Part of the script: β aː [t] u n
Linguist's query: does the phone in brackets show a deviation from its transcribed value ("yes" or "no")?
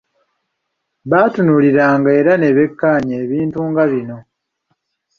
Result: no